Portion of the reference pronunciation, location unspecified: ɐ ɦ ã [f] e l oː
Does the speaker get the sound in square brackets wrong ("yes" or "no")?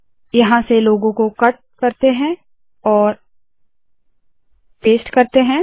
yes